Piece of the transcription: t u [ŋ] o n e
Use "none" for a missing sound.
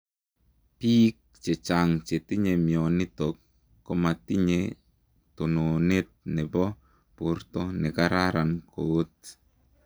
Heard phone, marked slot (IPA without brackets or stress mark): n